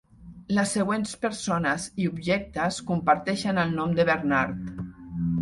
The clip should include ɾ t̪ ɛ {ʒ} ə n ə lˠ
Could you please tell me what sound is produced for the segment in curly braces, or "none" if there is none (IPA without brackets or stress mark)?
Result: ʃ